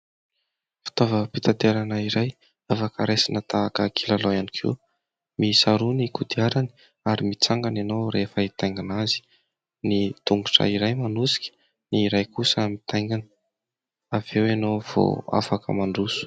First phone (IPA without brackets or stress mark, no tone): f